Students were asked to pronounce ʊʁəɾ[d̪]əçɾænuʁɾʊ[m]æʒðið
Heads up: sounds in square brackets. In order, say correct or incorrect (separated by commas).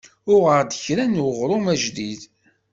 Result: correct, correct